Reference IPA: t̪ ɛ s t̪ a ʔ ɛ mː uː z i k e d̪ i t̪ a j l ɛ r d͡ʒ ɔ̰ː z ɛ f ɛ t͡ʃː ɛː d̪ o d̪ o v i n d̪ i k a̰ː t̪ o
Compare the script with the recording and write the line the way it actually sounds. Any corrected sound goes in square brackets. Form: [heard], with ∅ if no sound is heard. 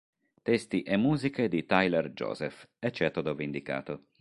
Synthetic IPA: t̪ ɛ s t̪ [i] ʔ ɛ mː uː z i k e d̪ i t̪ a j l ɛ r d͡ʒ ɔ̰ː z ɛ f ɛ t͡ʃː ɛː [t̪] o d̪ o v i n d̪ i k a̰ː t̪ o